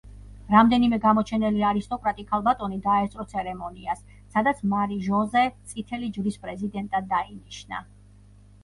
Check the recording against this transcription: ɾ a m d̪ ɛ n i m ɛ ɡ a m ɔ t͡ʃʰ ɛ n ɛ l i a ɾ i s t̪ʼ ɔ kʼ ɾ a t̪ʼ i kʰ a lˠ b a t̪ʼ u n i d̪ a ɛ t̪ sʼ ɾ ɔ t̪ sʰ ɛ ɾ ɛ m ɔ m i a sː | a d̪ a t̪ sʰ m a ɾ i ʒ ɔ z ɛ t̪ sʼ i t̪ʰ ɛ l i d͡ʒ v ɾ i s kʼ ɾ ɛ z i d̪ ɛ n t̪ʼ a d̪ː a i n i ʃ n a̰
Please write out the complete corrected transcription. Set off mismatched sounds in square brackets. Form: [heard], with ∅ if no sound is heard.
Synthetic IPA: ɾ a m d̪ ɛ n i m ɛ ɡ a m ɔ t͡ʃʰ ɛ n ɛ l i a ɾ i s t̪ʼ ɔ kʼ ɾ a t̪ʼ i kʰ a lˠ b a t̪ʼ [ɔ] n i d̪ a ɛ t̪ sʼ ɾ ɔ t̪ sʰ ɛ ɾ ɛ m ɔ [n] i a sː | a d̪ a t̪ sʰ m a ɾ i ʒ ɔ z ɛ t̪ sʼ i t̪ʰ ɛ l i d͡ʒ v ɾ i s [pʼ] ɾ ɛ z i d̪ ɛ n t̪ʼ a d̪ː a i n i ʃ n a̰